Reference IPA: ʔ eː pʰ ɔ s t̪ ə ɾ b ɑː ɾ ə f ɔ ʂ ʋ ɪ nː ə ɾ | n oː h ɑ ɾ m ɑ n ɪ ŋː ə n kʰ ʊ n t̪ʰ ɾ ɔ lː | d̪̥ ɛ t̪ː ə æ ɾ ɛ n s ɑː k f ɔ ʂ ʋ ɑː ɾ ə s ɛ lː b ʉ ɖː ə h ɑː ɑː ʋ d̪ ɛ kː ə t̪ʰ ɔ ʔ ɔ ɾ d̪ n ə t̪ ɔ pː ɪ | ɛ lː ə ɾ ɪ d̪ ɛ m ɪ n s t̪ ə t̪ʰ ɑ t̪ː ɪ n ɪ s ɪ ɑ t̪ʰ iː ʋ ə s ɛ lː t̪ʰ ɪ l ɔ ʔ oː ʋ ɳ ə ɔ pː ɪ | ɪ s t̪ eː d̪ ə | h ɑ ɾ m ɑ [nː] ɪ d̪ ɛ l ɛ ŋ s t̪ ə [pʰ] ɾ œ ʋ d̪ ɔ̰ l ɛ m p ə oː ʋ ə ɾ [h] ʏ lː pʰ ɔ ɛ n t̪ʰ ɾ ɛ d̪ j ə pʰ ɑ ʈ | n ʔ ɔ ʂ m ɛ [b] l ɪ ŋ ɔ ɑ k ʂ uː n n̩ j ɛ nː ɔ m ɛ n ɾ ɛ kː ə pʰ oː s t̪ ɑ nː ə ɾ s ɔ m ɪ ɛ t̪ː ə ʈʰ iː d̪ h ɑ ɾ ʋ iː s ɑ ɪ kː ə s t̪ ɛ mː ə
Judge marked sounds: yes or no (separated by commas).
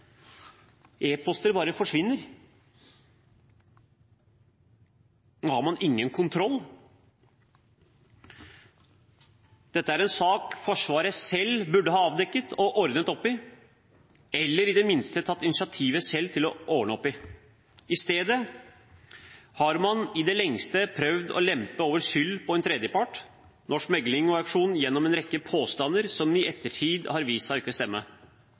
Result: no, yes, no, no